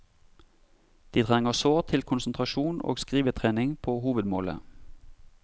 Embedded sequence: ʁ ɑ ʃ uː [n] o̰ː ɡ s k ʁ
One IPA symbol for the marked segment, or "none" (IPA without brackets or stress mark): n